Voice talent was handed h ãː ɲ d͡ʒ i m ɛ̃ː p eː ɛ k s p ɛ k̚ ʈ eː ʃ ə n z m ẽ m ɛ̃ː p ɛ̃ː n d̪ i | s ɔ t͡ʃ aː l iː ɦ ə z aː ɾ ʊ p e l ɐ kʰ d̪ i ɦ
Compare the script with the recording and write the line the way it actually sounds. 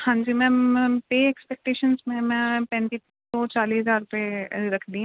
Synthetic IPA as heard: h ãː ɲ d͡ʒ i m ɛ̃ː p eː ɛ k s p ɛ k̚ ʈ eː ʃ ə n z m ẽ m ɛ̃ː p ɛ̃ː n t̪ i | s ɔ t͡ʃ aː l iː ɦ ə z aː ɾ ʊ p e ɾ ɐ kʰ d̪ i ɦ